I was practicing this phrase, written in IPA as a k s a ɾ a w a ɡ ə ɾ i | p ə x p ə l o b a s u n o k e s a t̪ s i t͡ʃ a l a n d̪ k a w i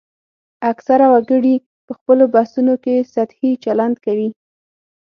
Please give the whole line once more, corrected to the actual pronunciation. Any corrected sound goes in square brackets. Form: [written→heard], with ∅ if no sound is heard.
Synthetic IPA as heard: a k s a ɾ a w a ɡ ə [ɾ→ɽ] i | p ə x p ə l o b a s u n o k e s a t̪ [s→h] i t͡ʃ a l a n d̪ k a w i